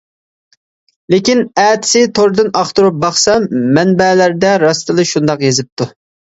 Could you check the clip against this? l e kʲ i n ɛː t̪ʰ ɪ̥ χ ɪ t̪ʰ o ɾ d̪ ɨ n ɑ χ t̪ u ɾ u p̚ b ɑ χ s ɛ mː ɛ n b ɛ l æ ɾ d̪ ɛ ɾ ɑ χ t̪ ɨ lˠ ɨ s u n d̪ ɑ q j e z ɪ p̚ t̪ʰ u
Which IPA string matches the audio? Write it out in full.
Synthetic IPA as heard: l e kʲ i n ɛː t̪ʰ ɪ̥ s ɪ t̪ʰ o ɾ d̪ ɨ n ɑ χ t̪ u ɾ u p̚ b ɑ χ s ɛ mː ɛ n b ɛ l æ ɾ d̪ ɛ ɾ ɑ s t̪ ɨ lˠ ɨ ʃ u n d̪ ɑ q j e z ɪ p̚ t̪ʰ u

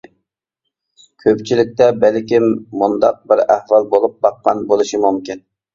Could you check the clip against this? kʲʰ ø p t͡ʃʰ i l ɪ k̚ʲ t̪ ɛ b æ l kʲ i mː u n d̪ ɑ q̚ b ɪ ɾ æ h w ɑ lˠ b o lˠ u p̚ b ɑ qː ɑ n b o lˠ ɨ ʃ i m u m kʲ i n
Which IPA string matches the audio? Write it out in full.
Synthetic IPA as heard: kʲʰ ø p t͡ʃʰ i l ɪ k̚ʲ t̪ ɛ b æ l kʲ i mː u n d̪ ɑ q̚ b ɪ ɾ æ h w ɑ lˠ b o lˠ u p̚ b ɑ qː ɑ n b o lˠ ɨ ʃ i m u m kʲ i n

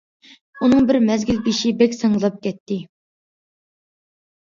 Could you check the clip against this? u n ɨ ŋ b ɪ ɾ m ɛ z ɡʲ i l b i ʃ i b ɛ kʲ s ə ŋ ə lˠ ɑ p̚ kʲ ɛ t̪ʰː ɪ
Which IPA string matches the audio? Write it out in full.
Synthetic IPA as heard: u n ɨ ŋ b ɪ ɾ m ɛ z ɡʲ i l b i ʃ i b ɛ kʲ s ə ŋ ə lˠ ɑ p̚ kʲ ɛ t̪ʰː ɪ

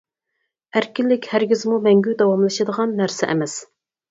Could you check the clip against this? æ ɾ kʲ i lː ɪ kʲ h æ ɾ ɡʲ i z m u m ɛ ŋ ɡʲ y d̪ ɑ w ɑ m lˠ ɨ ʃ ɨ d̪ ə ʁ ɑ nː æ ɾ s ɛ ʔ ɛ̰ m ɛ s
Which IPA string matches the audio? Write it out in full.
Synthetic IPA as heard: æ ɾ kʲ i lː ɪ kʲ h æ ɾ ɡʲ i z m u m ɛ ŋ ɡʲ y d̪ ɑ w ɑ m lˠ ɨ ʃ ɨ d̪ ə ʁ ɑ nː æ ɾ s ɛ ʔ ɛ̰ m ɛ s

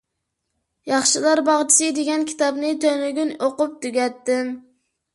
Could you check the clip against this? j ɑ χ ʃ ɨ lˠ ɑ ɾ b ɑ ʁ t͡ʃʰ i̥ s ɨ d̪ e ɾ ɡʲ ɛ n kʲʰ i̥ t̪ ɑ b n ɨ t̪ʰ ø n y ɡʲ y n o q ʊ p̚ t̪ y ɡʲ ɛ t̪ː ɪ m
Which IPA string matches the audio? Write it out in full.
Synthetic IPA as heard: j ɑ χ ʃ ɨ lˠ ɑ ɾ b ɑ ʁ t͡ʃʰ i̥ s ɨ d̪ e ɡʲ ɛ n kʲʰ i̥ t̪ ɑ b n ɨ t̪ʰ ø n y ɡʲ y n o q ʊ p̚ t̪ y ɡʲ ɛ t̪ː ɪ m

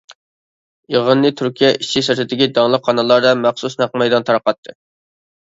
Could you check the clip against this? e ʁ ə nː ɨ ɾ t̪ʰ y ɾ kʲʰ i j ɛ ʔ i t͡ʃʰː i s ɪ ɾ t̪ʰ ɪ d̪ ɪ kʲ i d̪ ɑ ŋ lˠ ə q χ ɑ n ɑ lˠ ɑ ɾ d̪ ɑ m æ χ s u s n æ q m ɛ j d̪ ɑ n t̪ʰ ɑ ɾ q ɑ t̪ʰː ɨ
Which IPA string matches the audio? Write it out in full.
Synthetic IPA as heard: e ʁ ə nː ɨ t̪ʰ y ɾ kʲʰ i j ɛ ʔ i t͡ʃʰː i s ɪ ɾ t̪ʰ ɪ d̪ ɪ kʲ i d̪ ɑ ŋ lˠ ə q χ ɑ n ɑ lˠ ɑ ɾ d̪ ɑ m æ χ s u s n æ q m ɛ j d̪ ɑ n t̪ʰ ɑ ɾ q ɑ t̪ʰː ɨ

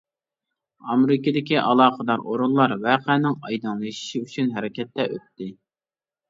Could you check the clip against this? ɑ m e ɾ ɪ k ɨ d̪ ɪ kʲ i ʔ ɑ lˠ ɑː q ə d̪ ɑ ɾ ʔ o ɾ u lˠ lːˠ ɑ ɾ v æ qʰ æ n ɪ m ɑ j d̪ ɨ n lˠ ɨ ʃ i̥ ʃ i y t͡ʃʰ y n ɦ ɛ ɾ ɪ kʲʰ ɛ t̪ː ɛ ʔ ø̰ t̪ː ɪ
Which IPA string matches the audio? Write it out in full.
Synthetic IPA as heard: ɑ m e ɾ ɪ k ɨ d̪ ɪ kʲ i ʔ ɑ lˠ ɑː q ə d̪ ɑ ɾ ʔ o ɾ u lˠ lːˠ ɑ ɾ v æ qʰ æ n ɪ ŋ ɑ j d̪ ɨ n lˠ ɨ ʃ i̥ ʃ i y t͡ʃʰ y n ɦ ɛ ɾ ɪ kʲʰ ɛ t̪ː ɛ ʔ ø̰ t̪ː ɪ

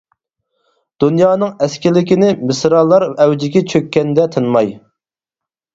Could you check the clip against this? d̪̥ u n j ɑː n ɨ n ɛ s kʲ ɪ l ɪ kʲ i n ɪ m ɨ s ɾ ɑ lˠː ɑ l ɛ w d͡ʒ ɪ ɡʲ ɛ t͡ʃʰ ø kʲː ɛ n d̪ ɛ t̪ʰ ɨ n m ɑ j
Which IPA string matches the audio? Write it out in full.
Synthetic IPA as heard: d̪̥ u n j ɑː n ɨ ŋ ɛ s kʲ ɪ l ɪ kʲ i n ɪ m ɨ s ɾ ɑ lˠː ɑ ɾ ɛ w d͡ʒ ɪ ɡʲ ɛ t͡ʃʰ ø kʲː ɛ n d̪ ɛ t̪ʰ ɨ n m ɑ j

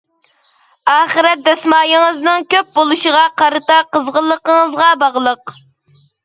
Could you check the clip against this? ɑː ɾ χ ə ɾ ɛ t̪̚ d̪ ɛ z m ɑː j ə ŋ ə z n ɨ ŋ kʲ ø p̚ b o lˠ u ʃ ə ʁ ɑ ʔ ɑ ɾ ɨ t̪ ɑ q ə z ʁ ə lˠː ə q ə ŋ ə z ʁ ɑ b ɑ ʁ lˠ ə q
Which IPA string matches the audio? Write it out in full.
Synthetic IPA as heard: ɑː χ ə ɾ ɛ t̪̚ d̪ ɛ s m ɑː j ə ŋ ə z n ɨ ŋ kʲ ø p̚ b o lˠ u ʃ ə ʁ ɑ q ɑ ɾ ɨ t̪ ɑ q ə z ʁ ə lˠː ə q ə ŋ ə z ʁ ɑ b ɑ ʁ lˠ ə q

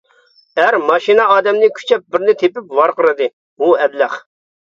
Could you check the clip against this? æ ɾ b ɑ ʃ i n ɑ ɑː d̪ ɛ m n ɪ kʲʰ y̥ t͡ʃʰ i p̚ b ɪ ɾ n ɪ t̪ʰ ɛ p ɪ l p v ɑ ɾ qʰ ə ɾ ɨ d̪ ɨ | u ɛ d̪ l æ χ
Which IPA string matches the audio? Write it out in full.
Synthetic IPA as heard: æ ɾ m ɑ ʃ i n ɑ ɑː d̪ ɛ m n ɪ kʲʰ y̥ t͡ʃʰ ɛ p̚ b ɪ ɾ n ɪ t̪ʰ e p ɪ p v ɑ ɾ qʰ ə ɾ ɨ d̪ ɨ | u ɛ d̪ l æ χ

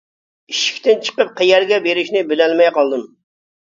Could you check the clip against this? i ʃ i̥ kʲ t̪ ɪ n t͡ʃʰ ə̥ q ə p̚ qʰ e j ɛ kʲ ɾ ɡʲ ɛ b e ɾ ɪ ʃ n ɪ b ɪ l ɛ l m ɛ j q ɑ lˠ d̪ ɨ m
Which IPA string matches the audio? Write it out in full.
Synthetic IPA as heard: i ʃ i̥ kʲ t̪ ɪ n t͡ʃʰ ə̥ q ə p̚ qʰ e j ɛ ɾ ɡʲ ɛ b e ɾ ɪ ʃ n ɪ b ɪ l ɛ l m ɛ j q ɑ lˠ d̪ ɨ m

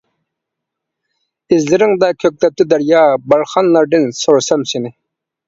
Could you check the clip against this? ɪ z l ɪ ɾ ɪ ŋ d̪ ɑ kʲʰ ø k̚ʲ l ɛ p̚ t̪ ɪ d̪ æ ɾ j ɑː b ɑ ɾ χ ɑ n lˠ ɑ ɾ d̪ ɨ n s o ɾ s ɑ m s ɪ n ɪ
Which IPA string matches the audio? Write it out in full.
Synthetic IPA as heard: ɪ z l ɪ ɾ ɪ ŋ d̪ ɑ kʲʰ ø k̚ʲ l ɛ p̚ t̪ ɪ d̪ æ ɾ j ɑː b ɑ ɾ χ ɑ n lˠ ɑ ɾ d̪ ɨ n s o ɾ s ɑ m s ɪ n ɪ

